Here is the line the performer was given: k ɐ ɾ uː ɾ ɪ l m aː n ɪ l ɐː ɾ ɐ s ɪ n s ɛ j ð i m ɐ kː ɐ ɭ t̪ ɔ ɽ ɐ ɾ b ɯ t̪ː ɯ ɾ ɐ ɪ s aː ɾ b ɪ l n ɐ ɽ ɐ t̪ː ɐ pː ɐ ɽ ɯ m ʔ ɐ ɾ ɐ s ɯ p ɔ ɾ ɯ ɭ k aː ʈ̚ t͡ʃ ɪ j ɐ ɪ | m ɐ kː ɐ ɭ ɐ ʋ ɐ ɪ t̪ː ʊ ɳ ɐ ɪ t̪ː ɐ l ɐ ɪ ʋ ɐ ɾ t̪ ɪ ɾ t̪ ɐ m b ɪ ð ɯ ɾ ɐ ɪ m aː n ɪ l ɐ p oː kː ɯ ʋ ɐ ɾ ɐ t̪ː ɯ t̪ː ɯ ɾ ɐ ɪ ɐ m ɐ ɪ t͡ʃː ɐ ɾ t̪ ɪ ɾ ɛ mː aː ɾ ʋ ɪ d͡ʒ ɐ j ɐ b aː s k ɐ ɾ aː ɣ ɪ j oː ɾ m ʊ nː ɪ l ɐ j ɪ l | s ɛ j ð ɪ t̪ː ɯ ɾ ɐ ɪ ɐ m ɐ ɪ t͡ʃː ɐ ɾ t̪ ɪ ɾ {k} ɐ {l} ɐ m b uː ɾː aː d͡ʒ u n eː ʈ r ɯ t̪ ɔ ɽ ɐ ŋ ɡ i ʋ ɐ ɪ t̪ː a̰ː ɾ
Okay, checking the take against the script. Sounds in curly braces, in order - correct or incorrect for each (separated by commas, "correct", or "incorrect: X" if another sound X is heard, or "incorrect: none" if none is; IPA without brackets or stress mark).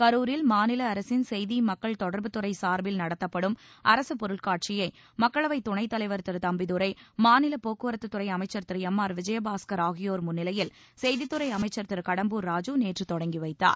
correct, incorrect: ɽ